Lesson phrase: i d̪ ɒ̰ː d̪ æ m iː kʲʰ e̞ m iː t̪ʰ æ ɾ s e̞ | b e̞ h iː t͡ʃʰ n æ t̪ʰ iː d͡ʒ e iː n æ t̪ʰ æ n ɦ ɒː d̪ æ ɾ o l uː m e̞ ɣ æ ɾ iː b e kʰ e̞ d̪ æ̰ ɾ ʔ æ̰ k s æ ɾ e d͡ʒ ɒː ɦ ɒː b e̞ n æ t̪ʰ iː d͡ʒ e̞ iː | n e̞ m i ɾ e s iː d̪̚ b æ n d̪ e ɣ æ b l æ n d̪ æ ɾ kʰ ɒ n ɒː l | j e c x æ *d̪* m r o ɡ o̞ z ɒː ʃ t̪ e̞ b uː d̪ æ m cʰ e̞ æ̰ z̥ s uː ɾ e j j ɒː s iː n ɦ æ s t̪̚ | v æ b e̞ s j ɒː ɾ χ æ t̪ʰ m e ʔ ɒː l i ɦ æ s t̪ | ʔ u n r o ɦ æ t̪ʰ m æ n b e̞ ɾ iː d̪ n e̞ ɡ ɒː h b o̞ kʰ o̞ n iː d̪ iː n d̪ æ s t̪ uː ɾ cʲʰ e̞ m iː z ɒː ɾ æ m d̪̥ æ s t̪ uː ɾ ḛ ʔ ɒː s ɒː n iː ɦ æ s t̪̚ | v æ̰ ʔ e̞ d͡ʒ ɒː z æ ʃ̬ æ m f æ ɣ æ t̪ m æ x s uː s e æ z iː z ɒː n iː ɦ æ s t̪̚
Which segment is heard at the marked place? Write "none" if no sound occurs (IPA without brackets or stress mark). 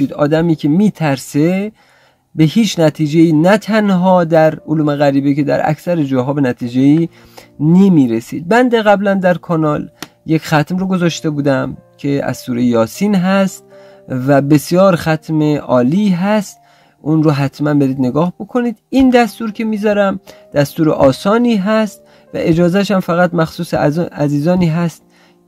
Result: t̪